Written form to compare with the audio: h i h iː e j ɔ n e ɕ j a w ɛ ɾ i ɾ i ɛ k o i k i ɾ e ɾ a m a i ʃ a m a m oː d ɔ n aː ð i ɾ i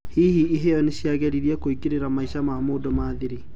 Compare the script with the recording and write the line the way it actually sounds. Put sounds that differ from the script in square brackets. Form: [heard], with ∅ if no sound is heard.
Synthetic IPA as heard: h i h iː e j ɔ n e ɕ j a [ɣ] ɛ ɾ i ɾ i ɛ k o i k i ɾ e ɾ a m a i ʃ a m a m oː d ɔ [m] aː ð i ɾ i